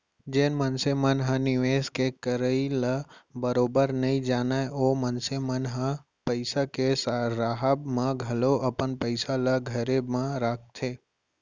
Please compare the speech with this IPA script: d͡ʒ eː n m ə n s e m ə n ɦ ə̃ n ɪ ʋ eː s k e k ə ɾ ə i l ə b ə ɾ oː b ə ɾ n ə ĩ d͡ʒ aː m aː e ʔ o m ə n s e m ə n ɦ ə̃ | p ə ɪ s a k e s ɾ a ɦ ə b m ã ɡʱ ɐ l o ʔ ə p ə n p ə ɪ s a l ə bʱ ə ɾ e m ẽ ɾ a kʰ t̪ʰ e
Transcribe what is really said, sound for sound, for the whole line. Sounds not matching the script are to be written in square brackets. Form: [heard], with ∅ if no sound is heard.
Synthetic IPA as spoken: d͡ʒ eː n m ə n s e m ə n ɦ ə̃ n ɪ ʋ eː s k e k ə ɾ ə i l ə b ə ɾ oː b ə ɾ n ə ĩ d͡ʒ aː [n] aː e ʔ o m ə n s e m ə n ɦ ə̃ | p ə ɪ s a k e s ɾ a ɦ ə b m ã ɡʱ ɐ l o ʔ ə p ə n p ə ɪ s a l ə [ɡʱ] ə ɾ e m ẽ ɾ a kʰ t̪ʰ e